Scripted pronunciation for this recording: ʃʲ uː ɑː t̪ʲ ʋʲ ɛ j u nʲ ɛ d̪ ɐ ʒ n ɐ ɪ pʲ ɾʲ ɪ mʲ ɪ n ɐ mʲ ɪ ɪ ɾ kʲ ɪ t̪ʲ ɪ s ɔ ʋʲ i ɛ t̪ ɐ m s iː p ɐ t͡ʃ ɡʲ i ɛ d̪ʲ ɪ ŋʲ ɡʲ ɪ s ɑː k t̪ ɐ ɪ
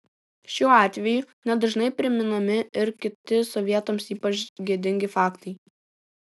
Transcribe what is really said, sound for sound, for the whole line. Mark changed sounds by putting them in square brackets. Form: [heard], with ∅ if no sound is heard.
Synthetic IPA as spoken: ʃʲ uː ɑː t̪ʲ ʋʲ ɛ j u nʲ ɛ d̪ ɐ ʒ n ɐ ɪ pʲ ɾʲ ɪ mʲ ɪ n ɐ mʲ ɪ ɪ ɾ kʲ ɪ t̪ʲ ɪ s ɔ ʋʲ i ɛ t̪ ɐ m s iː p ɐ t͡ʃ ɡʲ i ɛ d̪ʲ ɪ ŋʲ ɡʲ ɪ [f] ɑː k t̪ ɐ ɪ